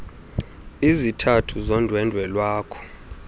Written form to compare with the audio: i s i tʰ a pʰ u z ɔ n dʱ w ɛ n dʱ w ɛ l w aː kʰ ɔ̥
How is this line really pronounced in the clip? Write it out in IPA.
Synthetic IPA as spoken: i z i tʰ a tʰ u z ɔ n dʱ w ɛ n dʱ w ɛ l w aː kʰ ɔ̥